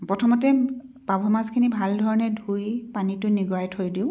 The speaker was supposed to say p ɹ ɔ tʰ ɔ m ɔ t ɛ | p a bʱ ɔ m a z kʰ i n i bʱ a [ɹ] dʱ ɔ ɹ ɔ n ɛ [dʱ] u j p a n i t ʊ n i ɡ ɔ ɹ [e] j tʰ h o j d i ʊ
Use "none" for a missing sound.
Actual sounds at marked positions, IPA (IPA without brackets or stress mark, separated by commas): l, dʱ, a